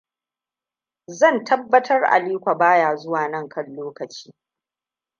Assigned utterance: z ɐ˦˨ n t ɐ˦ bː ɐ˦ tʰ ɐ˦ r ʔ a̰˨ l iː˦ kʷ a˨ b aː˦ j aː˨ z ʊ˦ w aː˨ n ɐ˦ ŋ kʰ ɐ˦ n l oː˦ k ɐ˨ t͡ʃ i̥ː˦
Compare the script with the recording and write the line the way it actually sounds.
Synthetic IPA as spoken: z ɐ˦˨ n t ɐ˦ bː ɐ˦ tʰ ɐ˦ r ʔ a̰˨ l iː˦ kʷ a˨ b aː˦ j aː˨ z ʊ˦ w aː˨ n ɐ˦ ŋ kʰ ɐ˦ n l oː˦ k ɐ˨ t͡ʃ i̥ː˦